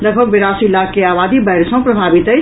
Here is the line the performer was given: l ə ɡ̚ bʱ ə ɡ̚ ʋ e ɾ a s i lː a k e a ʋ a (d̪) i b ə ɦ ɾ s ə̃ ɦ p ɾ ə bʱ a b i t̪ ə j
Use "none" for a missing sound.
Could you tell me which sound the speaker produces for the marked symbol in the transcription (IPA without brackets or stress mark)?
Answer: d̪